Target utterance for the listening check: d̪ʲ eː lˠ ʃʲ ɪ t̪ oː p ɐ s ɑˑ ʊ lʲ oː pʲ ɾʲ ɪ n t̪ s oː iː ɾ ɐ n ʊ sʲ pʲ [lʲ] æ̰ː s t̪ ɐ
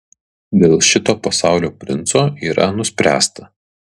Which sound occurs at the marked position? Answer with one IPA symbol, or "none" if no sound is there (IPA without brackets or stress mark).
ɾʲ